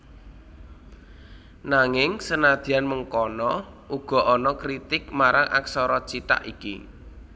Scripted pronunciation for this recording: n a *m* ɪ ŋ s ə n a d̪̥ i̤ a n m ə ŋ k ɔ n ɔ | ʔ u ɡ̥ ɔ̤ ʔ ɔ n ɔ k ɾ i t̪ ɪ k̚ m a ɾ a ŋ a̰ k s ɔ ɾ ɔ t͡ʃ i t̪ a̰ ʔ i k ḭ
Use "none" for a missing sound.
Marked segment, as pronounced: ŋ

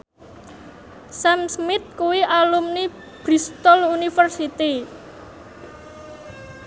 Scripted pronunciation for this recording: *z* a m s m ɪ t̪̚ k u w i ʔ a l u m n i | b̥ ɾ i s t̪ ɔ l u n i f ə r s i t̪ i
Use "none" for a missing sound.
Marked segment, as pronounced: s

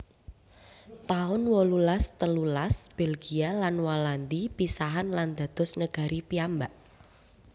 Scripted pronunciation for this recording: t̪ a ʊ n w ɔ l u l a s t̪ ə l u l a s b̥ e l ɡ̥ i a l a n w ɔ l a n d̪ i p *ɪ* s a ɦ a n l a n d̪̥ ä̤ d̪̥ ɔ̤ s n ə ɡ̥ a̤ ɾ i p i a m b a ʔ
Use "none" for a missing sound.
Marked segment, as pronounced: i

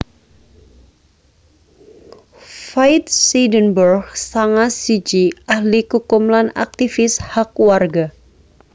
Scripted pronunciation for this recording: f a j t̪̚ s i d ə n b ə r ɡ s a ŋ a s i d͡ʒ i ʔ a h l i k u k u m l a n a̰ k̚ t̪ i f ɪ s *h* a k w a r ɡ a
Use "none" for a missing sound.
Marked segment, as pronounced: h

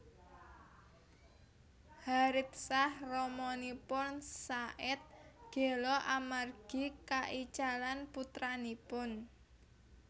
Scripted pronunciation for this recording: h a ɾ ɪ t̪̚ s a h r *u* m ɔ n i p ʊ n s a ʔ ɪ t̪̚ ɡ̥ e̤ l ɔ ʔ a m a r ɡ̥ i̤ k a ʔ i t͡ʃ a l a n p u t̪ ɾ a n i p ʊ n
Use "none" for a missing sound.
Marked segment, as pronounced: ɔ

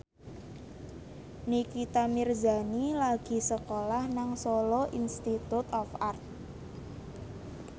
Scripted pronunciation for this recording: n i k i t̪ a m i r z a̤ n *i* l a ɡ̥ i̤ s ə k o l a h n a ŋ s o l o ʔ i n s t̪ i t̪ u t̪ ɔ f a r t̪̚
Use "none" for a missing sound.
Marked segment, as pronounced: i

